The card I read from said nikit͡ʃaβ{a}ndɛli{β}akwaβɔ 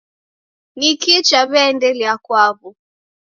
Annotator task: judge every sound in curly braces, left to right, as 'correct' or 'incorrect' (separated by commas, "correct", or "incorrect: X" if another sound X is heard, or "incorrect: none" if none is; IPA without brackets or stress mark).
incorrect: ɛ, incorrect: none